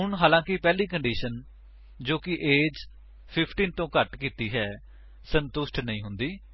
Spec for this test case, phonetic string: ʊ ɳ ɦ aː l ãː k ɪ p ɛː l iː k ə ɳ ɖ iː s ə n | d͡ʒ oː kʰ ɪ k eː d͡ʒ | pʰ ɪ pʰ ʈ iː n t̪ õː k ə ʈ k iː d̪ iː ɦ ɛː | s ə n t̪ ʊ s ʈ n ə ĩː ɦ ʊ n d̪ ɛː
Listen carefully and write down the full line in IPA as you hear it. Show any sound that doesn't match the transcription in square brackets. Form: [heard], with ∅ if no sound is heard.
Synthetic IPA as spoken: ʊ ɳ ɦ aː l ãː k ɪ p ɛː l iː k ə ɳ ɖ iː [ʃ] ə n | d͡ʒ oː [k] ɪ [ʔ] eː d͡ʒ | pʰ ɪ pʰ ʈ iː n t̪ õː k ə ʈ k iː [t̪] iː ɦ ɛː | s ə n t̪ ʊ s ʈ n ə ĩː ɦ ʊ n d̪ [iː]